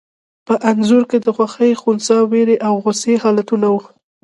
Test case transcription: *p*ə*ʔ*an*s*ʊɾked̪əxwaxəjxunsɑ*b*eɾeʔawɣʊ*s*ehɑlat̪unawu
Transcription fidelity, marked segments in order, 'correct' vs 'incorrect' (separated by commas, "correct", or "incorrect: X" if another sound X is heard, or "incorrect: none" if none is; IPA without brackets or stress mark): correct, correct, incorrect: z, incorrect: w, correct